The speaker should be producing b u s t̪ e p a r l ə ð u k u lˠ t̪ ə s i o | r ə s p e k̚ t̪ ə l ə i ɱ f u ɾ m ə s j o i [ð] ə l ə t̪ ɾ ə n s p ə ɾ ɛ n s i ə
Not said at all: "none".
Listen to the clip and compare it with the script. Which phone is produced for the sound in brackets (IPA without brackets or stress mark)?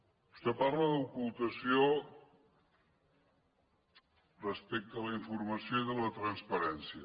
ð